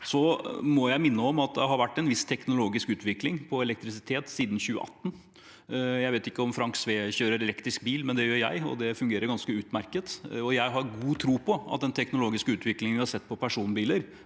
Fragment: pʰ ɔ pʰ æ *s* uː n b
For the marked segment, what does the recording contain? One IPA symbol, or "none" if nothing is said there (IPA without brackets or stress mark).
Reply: ʂ